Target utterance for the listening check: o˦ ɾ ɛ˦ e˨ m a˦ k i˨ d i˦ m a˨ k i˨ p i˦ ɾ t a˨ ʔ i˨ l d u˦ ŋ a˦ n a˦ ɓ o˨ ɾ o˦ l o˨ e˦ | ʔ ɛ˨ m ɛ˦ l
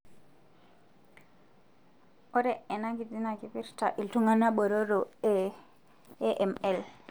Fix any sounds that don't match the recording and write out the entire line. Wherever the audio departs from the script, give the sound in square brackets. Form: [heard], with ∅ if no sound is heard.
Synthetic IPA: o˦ ɾ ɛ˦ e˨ [n] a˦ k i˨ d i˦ [n] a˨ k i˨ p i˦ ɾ t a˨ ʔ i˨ l [t] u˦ ŋ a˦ n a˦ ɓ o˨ ɾ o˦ [ɾ] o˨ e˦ | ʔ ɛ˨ m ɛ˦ l

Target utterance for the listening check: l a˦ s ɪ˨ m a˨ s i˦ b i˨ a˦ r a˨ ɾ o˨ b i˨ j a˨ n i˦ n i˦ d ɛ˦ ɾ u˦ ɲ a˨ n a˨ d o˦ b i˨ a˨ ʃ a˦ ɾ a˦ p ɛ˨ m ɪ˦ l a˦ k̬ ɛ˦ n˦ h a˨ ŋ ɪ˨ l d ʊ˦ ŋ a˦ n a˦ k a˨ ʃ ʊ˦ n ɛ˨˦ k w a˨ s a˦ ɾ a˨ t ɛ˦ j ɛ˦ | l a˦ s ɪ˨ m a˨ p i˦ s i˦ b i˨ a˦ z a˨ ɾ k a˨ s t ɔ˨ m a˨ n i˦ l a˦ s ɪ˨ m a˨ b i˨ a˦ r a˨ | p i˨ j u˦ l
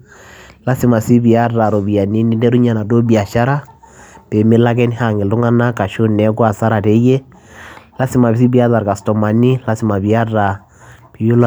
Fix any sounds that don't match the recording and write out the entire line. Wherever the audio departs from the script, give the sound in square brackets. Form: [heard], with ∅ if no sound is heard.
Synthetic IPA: l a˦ s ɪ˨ m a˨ s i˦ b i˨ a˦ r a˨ ɾ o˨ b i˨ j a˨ n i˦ n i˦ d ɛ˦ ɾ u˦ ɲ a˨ n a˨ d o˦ b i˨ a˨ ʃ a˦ ɾ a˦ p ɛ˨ m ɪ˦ l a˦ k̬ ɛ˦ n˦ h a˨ ŋ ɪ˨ l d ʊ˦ ŋ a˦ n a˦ k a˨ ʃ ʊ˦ n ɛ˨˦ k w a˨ s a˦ ɾ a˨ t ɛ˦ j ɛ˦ | l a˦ s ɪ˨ m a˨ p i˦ s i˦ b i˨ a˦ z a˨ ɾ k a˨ s t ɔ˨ m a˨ n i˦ l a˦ s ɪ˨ m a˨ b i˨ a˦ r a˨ | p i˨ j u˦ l

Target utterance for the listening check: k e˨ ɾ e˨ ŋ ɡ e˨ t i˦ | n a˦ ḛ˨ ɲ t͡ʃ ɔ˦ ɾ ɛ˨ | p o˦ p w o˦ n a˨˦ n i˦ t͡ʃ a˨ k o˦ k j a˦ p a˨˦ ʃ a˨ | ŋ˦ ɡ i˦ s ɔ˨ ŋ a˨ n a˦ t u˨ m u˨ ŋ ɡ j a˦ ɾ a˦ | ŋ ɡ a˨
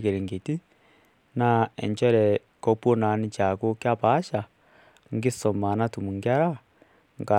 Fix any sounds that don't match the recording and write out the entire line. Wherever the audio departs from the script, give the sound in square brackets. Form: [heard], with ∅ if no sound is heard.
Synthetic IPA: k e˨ ɾ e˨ ŋ ɡ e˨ t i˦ | n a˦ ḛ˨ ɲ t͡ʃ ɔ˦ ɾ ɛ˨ | [k] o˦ p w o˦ n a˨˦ n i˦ t͡ʃ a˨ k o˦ k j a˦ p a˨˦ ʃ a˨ | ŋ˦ ɡ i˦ s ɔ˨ [m] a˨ n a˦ t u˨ m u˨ ŋ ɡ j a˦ ɾ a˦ | ŋ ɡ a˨

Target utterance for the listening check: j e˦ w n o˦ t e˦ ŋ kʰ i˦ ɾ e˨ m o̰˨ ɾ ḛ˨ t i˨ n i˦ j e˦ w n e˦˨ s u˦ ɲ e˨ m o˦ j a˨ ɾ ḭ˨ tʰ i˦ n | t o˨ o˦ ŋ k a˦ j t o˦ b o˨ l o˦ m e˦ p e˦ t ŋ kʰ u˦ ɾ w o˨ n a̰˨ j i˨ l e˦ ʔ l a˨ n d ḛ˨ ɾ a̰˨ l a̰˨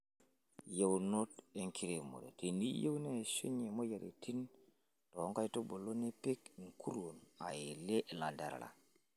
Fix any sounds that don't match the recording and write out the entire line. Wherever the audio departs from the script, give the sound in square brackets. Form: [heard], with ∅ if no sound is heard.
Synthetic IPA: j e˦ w n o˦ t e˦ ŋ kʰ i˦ ɾ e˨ m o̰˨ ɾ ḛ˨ t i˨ n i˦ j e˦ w n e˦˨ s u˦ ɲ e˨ m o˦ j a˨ ɾ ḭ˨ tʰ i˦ n | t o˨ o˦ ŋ k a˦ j t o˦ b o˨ l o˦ [n] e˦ p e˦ [k] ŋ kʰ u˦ ɾ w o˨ n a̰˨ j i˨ l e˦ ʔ l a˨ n d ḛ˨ ɾ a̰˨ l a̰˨

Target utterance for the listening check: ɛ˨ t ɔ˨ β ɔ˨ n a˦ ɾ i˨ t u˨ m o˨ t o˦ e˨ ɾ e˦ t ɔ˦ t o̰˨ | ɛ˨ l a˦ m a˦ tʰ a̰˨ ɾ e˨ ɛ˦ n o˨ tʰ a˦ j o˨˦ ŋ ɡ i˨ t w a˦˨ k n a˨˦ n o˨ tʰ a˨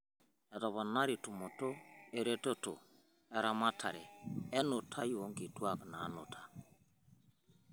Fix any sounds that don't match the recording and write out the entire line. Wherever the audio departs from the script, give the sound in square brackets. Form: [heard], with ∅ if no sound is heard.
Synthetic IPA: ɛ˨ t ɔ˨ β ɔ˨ n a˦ ɾ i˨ t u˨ m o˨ t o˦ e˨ ɾ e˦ t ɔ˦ t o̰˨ | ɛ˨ [ɾ] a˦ m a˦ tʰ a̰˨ ɾ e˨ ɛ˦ n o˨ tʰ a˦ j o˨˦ ŋ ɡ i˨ t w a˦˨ k n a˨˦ n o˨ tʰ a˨

